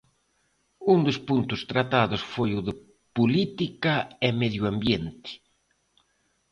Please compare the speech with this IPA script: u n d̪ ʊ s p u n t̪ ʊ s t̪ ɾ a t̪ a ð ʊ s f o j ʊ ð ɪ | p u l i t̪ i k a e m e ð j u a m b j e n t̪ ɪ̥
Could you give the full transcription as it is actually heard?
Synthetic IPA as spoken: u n d̪ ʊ s p u n t̪ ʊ s t̪ ɾ a t̪ a ð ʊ s f o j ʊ ð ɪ | p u l i t̪ i k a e m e ð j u a m b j e n t̪ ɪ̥